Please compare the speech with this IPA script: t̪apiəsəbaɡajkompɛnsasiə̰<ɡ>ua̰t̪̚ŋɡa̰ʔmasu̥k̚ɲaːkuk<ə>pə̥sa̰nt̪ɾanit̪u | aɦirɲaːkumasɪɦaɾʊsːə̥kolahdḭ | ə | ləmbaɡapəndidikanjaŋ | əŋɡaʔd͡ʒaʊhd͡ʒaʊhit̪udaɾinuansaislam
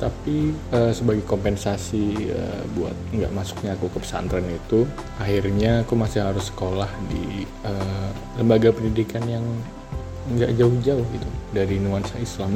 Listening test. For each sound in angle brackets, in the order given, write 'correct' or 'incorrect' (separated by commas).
incorrect, correct